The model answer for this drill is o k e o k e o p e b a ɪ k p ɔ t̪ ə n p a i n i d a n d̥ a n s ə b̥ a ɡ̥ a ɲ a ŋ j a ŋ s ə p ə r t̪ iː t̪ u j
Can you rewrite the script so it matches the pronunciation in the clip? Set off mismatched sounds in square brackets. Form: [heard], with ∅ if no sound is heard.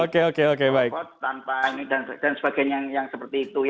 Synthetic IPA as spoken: o k e o k e o [k] e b a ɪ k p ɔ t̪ [a] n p a i n i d a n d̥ a n s ə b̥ a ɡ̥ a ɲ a ŋ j a ŋ s ə p ə r t̪ iː t̪ u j